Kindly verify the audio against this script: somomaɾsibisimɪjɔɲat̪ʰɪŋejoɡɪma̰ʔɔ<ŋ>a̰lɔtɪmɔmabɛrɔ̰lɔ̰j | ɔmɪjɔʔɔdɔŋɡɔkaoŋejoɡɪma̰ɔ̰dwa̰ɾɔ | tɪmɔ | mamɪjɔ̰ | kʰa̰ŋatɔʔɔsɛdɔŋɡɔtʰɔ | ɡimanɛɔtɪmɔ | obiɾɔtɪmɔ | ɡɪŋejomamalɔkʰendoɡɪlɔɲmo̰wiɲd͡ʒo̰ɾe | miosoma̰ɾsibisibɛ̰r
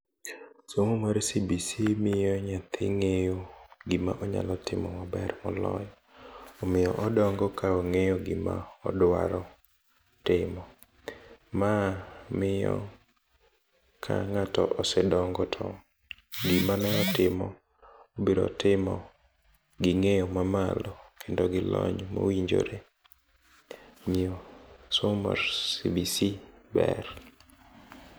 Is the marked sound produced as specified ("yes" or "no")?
no